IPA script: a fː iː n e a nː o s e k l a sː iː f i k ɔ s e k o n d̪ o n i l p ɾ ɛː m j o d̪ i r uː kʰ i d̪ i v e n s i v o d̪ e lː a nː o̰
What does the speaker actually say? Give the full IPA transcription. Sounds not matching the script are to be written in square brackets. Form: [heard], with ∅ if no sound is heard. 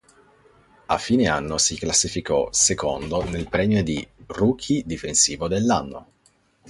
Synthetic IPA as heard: a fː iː n e a nː o s [i] k l a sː [i] f i k ɔ s e k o n d̪ o n [e] l p ɾ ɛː m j o d̪ i r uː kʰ i d̪ i [f] e n s [iː] v o d̪ e lː a nː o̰